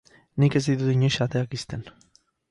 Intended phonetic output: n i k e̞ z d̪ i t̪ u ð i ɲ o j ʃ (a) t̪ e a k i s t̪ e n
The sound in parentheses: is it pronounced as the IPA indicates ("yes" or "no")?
yes